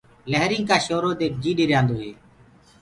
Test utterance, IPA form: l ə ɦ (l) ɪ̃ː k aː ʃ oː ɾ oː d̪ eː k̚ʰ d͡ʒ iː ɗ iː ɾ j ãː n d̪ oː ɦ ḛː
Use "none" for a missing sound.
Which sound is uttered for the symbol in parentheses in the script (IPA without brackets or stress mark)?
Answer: ɾ